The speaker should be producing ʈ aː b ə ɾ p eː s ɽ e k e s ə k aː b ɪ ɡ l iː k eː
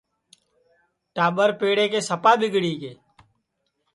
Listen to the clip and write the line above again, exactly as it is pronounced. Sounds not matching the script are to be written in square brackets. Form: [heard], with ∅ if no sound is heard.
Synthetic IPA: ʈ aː b ə ɾ p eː [∅] ɽ e k e s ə [p] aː b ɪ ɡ [ɽ] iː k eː

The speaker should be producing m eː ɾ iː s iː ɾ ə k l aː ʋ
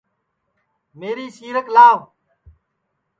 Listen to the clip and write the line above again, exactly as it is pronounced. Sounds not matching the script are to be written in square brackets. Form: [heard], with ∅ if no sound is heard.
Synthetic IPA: m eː ɾ iː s iː ɾ ə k l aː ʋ

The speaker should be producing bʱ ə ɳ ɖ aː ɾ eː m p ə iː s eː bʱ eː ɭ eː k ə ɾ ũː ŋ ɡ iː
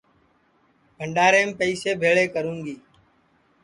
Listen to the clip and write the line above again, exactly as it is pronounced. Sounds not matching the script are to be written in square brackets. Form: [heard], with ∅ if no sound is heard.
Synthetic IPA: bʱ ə ɳ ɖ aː ɾ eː m p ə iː s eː bʱ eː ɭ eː k ə ɾ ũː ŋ ɡ iː

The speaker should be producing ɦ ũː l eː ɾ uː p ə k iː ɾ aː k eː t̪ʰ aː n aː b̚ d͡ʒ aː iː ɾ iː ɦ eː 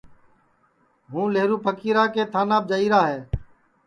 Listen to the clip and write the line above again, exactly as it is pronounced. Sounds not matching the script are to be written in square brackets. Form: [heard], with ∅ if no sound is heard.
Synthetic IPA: ɦ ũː l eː ɾ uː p ə k iː ɾ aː k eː t̪ʰ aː n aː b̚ d͡ʒ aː iː ɾ [aː] ɦ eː

